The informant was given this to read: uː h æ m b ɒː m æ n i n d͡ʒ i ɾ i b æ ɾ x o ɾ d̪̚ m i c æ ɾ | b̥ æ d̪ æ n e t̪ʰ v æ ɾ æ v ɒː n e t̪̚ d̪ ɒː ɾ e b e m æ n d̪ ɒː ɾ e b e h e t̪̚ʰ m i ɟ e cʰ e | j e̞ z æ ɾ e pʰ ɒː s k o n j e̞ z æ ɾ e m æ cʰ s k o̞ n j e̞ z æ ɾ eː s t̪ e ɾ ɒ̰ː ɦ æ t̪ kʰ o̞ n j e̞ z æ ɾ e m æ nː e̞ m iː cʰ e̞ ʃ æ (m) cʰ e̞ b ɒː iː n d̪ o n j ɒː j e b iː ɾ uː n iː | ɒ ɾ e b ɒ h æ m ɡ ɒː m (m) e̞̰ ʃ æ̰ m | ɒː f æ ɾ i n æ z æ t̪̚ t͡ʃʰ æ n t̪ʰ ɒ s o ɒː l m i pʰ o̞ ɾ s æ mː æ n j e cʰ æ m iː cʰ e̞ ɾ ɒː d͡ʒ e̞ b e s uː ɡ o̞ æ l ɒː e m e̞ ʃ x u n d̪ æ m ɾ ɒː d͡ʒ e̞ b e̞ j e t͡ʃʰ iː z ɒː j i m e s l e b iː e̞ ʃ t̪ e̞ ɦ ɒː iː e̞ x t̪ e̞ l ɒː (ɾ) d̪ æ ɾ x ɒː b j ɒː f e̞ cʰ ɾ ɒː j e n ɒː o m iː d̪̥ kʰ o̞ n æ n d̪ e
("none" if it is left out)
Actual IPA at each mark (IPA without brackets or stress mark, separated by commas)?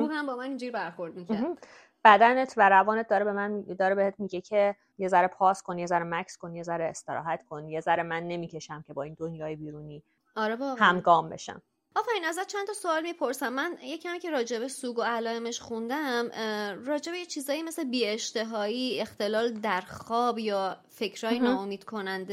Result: m, b, l